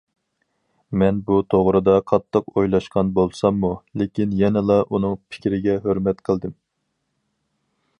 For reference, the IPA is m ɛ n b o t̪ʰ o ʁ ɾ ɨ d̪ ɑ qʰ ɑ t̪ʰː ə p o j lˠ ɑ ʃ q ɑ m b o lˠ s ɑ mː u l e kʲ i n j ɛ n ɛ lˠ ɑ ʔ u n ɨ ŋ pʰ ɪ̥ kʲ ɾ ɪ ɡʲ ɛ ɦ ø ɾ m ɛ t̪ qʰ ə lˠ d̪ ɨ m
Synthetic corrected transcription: m ɛ n b u t̪ʰ o ʁ ɾ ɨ d̪ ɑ qʰ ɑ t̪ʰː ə q o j lˠ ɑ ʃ q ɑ n b o lˠ s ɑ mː u l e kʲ i n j ɛ n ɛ lˠ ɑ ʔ u n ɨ ŋ pʰ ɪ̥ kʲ ɾ ɪ ɡʲ ɛ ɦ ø ɾ m ɛ t̪ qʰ ə lˠ d̪ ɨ m